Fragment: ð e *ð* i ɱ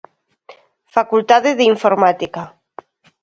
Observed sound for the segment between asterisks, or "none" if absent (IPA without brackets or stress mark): ð